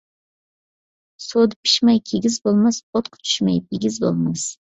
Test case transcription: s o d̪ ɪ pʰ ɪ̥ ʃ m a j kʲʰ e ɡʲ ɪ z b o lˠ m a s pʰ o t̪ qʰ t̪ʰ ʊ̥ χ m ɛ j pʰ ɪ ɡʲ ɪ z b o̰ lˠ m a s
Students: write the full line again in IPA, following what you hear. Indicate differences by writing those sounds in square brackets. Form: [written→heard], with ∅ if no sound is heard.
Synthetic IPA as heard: s o d̪ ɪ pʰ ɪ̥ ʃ m a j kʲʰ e ɡʲ ɪ z b o lˠ m a s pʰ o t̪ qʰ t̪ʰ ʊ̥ [χ→ʃ] m [ɛ→a] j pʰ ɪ ɡʲ ɪ z b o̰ lˠ m a s